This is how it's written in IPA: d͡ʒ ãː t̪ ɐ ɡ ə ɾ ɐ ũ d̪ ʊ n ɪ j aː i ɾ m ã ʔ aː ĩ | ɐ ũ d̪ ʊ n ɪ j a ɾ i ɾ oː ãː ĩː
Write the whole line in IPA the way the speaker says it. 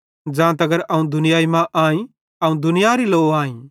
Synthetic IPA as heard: d͡ʒ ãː t̪ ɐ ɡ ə ɾ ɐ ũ d̪ ʊ n ɪ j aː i m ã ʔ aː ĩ | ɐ ũ d̪ ʊ n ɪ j a ɾ i l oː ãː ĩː